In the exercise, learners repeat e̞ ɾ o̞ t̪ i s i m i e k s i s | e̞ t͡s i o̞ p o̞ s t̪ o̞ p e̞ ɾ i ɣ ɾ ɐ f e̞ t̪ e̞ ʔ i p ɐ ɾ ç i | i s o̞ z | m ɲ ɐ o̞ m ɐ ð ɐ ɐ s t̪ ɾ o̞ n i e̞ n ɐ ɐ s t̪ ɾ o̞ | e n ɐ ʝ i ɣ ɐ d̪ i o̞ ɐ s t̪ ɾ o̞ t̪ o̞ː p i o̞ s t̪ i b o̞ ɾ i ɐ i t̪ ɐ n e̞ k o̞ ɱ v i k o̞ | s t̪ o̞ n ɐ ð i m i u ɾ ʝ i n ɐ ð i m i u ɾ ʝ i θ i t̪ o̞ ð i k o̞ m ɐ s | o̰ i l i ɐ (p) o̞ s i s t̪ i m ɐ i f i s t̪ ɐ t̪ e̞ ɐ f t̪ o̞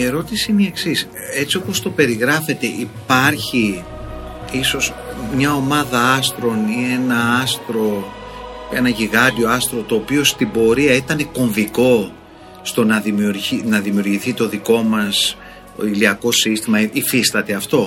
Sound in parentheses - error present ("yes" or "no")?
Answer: yes